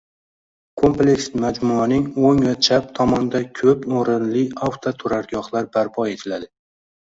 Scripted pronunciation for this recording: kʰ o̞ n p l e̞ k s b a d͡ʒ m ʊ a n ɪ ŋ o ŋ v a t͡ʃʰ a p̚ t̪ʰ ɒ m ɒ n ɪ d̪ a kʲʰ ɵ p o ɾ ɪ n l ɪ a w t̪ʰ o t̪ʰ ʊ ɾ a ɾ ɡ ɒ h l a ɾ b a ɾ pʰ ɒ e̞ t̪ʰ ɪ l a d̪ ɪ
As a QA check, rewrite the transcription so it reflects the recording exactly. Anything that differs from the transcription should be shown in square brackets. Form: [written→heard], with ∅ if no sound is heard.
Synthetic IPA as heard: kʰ o̞ [n→m] p l e̞ k s [b→m] a d͡ʒ m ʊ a n ɪ ŋ o ŋ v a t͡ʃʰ a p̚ t̪ʰ ɒ m ɒ n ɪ d̪ a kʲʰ ɵ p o ɾ ɪ n l ɪ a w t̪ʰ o t̪ʰ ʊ ɾ a ɾ ɡ ɒ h l a ɾ b a ɾ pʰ ɒ e̞ t̪ʰ ɪ l a d̪ ɪ